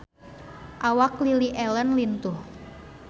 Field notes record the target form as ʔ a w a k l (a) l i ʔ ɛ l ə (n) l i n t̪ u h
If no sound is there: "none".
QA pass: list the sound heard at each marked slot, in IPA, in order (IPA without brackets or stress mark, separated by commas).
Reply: i, n